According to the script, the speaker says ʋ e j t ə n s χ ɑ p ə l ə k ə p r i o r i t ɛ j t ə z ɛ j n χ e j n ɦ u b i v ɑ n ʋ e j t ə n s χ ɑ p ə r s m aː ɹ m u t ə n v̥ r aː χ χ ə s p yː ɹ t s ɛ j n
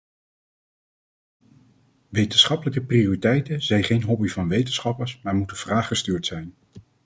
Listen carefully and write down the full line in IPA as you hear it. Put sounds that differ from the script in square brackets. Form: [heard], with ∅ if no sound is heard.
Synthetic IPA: ʋ e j t ə n s χ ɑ p ə l ə k ə p r i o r i t ɛ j t ə z ɛ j n χ e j n ɦ [ɔ] b i v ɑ n ʋ e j t ə n s χ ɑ p ə [ɹ] s m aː ɹ m u t ə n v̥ r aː χ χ ə s [t] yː ɹ t s ɛ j n